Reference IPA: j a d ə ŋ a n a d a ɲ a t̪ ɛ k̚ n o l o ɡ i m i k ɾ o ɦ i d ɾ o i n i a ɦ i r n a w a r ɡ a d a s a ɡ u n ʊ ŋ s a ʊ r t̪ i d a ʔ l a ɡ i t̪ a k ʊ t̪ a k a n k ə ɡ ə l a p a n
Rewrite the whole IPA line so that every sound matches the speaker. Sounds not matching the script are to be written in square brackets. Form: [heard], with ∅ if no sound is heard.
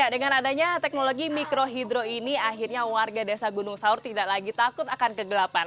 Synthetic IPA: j a d ə ŋ a n a d a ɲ a t̪ ɛ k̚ n o l o ɡ i m i k ɾ o ɦ i d ɾ o i n i a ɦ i r [ɲ] a w a r ɡ a d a s a ɡ u n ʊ ŋ s a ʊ r t̪ i d a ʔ l a ɡ i t̪ a k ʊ t̪ a k a n k ə ɡ ə l a p a n